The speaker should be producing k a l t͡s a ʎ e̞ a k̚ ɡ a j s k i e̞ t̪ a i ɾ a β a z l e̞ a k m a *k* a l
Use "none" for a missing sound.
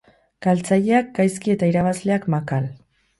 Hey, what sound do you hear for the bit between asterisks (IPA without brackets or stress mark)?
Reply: k